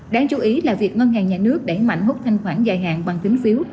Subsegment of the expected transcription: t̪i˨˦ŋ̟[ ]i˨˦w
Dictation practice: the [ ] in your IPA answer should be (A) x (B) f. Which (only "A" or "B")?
B